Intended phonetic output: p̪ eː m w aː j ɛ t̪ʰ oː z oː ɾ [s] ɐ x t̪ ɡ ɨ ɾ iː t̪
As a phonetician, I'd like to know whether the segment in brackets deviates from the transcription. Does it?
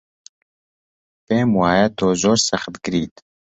no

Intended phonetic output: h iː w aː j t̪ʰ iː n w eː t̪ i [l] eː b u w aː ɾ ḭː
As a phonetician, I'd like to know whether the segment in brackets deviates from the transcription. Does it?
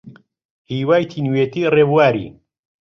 yes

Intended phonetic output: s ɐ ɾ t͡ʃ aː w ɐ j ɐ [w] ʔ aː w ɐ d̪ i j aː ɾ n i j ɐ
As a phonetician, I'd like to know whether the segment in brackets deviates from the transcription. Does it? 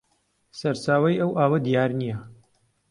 no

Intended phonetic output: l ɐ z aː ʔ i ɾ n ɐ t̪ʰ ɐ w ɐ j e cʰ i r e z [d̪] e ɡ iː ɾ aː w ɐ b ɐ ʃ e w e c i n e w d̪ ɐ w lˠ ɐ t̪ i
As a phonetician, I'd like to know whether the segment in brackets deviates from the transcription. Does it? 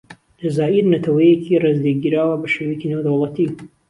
no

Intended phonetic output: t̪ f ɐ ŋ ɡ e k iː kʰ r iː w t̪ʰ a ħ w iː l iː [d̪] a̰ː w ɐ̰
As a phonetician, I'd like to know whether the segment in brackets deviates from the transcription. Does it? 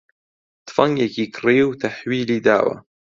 no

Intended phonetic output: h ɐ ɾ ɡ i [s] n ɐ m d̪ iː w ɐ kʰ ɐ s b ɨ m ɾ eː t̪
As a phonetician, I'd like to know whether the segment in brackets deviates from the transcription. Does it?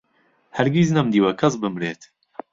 yes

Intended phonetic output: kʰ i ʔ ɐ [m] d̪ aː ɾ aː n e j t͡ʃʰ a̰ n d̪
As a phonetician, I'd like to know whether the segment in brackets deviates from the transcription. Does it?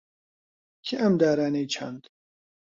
no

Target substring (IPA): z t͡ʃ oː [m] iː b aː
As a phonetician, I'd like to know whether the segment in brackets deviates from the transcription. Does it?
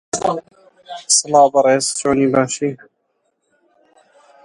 yes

